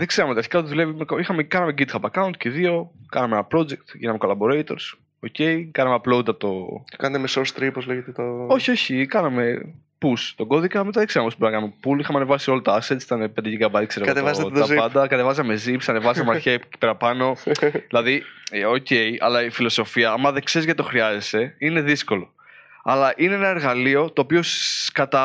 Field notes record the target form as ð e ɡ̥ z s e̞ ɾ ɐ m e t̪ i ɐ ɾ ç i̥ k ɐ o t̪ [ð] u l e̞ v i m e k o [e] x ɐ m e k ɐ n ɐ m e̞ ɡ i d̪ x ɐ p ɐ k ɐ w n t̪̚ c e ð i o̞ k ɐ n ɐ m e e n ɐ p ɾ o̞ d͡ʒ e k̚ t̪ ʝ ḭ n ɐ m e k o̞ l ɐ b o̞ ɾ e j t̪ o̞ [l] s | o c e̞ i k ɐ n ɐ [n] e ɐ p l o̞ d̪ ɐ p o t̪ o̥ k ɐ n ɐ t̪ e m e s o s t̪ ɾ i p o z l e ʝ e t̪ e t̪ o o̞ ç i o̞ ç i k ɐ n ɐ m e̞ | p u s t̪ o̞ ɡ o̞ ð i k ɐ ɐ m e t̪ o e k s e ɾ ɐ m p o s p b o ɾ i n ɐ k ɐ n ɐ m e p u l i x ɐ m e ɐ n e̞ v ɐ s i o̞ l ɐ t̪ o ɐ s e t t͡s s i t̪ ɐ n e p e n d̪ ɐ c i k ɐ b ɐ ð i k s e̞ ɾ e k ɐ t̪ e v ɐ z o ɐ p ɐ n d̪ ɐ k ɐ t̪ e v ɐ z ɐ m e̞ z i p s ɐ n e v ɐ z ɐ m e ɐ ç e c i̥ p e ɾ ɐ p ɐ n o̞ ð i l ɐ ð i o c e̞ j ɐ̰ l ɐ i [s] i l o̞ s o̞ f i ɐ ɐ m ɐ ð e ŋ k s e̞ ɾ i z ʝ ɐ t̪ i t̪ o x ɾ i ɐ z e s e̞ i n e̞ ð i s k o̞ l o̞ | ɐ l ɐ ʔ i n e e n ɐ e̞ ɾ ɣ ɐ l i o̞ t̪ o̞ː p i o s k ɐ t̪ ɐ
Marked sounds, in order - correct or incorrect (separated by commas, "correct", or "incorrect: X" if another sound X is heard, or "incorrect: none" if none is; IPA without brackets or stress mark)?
correct, incorrect: i, incorrect: ɾ, incorrect: m, incorrect: f